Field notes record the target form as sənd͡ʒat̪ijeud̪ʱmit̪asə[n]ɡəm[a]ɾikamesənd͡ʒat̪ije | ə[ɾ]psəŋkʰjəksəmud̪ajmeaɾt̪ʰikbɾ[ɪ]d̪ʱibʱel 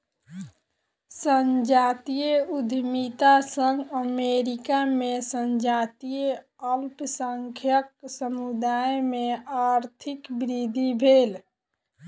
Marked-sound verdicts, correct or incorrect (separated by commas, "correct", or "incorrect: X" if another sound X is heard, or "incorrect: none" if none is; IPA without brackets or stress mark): incorrect: ŋ, incorrect: e, incorrect: l, incorrect: i